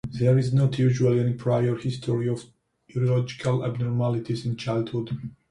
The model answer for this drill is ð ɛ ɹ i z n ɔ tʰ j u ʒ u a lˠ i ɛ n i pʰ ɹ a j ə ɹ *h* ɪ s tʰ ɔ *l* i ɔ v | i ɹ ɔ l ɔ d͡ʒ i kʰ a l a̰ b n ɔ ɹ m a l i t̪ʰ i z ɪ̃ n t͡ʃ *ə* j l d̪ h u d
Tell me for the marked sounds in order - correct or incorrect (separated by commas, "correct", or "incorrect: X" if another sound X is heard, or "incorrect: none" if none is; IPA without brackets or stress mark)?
correct, incorrect: ɹ, incorrect: a